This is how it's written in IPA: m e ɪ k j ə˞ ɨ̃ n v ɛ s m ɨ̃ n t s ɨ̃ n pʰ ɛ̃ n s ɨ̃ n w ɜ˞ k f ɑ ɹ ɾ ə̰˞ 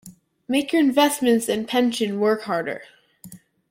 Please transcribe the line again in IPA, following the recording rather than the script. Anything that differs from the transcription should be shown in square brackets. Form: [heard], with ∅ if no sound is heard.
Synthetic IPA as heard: m e ɪ k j ə˞ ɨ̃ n v ɛ s m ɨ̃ n t s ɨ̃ n pʰ ɛ̃ n [ʃ] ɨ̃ n w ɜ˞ k [h] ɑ ɹ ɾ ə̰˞